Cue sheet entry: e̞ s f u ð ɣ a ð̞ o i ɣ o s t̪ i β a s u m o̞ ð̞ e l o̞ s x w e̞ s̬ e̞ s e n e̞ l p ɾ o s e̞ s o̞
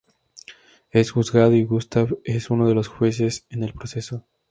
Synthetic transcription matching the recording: e̞ s x u z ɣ a ð̞ o i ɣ u s t̪ a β e s u n o̞ ð̞ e l o̞ s x w e̞ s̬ e̞ s e n e̞ l p ɾ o s e̞ s o̞